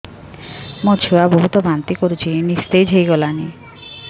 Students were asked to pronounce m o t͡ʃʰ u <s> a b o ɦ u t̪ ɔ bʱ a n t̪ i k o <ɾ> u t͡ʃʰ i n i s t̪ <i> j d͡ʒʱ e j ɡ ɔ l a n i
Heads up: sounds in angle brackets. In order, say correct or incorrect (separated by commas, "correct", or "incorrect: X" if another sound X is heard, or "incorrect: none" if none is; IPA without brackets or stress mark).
incorrect: none, correct, incorrect: e